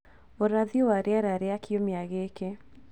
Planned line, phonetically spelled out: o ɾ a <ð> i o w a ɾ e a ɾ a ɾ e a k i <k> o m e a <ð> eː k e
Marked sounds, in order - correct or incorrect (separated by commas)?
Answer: correct, incorrect, incorrect